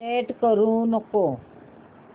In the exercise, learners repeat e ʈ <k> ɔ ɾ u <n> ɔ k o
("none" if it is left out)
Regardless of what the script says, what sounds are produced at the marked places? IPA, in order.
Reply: k, n

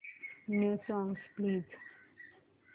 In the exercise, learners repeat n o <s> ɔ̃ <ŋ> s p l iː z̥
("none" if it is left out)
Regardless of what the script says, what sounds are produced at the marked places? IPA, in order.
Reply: s, ŋ

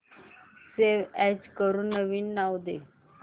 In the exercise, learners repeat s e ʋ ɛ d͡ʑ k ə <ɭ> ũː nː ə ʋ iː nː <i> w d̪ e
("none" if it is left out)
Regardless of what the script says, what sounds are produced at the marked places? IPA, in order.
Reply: ɾ, a

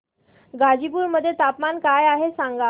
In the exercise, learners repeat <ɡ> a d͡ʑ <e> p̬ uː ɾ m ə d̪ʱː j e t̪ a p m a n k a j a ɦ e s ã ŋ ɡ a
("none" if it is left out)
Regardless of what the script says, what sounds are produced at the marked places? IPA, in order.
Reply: ɡ, i

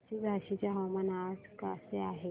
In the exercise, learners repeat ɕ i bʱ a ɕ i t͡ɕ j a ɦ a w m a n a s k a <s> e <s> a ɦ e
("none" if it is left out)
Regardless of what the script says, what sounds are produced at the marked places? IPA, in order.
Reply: s, none

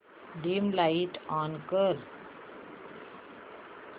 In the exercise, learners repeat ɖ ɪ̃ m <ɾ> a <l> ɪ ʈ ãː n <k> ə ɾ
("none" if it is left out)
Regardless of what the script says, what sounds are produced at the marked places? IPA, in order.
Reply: l, none, k

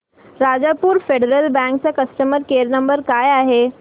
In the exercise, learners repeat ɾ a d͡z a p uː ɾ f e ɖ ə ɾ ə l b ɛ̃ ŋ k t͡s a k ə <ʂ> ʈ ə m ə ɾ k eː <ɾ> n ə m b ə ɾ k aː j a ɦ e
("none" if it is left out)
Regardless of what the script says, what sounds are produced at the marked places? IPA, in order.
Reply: s, ɾ

